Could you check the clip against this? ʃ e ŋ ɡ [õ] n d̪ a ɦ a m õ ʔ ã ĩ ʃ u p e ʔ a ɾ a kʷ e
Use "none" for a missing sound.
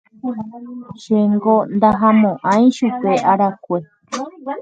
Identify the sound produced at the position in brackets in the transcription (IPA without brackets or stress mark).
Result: o